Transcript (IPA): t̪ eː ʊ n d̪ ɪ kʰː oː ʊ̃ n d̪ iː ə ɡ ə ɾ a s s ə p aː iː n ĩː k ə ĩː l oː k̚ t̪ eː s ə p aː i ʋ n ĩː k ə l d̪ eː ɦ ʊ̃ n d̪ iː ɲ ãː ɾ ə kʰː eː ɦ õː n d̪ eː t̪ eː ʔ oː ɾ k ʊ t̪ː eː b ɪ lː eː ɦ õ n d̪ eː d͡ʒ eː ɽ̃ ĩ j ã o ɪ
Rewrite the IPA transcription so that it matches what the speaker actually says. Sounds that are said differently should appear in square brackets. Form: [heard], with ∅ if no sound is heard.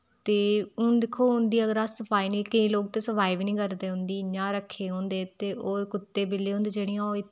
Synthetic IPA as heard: t̪ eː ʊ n d̪ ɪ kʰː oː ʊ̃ n d̪ iː ə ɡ ə ɾ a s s ə p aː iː n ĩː k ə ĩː l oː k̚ t̪ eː s ə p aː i ʋ n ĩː k ə [ɾ] d̪ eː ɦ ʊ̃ n d̪ iː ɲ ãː ɾ ə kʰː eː ɦ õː n d̪ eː t̪ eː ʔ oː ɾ k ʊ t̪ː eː b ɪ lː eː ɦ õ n d̪ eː d͡ʒ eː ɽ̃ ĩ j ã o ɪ